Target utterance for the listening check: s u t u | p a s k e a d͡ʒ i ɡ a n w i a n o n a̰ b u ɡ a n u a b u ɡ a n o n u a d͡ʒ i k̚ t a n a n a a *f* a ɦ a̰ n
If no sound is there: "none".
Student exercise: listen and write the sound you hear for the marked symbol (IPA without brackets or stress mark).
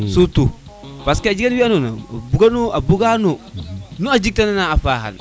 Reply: f